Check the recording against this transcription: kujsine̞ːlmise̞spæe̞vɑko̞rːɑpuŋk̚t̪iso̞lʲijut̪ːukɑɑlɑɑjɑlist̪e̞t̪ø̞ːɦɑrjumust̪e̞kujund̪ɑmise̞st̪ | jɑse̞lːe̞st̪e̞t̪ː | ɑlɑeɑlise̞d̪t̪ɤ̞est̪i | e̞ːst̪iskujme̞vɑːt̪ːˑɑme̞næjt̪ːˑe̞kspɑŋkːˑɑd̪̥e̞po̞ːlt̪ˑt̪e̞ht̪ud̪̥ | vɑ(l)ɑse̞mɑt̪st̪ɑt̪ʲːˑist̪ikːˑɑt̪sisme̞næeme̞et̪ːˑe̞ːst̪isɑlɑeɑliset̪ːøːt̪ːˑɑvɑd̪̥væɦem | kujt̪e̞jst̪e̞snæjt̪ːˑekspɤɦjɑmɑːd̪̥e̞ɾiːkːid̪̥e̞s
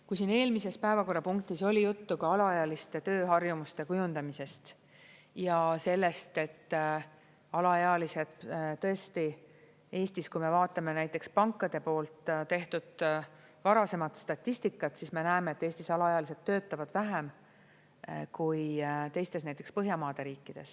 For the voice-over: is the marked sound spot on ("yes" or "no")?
no